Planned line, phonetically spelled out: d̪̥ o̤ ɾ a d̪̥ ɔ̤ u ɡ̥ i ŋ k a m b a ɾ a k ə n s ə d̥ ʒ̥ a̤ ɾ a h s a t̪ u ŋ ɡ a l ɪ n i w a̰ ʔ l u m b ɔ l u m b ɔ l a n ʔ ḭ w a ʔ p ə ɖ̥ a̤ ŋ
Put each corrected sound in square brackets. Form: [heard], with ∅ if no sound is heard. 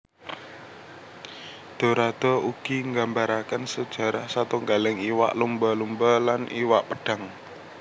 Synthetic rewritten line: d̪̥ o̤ ɾ a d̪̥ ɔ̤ u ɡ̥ i ŋ [ɡ] a m b a ɾ a k ə n s ə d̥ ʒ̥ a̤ ɾ a h s a t̪ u ŋ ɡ a l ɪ [ŋ] i w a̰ ʔ l u m b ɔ l u m b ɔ l a n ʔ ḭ w a ʔ p ə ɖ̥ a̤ ŋ